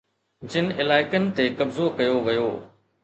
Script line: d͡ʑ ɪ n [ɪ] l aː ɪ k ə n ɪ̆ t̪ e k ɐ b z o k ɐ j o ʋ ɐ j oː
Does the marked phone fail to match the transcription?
no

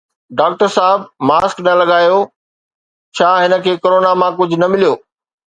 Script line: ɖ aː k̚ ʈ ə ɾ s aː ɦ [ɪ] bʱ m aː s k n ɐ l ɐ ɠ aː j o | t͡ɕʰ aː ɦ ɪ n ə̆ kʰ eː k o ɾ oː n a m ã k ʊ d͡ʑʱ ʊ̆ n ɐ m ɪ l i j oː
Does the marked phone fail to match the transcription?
no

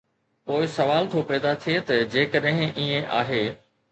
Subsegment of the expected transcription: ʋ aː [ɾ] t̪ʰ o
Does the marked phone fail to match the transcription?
yes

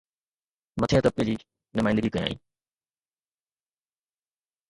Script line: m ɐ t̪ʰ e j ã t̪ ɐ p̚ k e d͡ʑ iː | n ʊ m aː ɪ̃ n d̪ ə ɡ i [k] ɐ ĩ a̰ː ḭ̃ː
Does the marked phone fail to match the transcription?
no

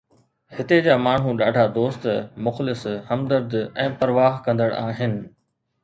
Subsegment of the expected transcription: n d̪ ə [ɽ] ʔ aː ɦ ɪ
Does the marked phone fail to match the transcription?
no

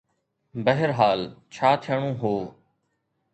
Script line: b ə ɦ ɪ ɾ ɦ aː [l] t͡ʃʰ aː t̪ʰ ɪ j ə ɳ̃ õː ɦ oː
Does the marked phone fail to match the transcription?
no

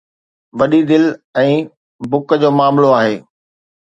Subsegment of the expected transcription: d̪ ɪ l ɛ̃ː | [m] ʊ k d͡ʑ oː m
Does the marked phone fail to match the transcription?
yes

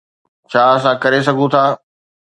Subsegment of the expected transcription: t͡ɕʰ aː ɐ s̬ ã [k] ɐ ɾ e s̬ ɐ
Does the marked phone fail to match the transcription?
no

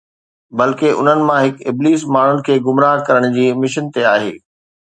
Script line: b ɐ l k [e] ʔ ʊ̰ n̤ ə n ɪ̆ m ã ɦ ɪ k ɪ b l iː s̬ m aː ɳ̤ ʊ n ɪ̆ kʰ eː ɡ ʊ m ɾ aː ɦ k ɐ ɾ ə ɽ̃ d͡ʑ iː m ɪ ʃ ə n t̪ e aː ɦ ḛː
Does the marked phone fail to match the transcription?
no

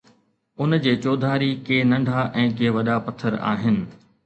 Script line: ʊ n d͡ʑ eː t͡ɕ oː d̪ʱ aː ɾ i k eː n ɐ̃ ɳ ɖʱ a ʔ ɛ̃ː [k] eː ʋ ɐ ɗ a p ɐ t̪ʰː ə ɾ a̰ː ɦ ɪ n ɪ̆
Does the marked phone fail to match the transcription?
no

